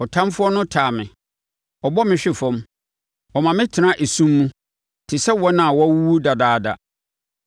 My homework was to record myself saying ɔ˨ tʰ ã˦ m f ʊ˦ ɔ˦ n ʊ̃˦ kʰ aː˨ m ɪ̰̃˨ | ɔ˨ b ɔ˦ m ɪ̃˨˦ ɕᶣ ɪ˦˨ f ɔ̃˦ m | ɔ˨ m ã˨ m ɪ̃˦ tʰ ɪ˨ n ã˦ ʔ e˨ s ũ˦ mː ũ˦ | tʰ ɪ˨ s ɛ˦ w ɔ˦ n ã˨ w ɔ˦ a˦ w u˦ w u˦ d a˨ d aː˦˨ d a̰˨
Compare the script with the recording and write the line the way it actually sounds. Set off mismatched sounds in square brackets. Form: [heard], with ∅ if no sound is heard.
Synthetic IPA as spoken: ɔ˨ tʰ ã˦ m f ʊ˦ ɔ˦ n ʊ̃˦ [tʰ] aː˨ m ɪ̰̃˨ | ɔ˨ b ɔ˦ m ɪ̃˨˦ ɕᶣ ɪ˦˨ f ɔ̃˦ m | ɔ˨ m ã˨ m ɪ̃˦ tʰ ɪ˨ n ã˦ ʔ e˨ s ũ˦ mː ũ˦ | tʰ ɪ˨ s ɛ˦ w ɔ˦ n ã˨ w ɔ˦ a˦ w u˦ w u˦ d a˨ d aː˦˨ d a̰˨